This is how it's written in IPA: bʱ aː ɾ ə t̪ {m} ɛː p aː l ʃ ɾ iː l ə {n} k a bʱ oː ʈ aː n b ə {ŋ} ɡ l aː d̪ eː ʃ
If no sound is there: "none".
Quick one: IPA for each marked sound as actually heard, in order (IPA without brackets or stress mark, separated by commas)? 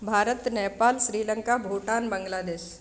n, ŋ, ŋ